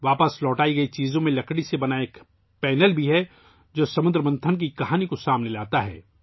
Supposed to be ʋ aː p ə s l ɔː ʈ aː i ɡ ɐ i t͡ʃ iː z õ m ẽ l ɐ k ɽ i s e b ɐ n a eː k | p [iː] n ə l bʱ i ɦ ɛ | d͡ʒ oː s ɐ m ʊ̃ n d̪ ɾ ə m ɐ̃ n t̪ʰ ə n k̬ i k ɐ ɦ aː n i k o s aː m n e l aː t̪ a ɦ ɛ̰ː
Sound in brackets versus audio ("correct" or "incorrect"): incorrect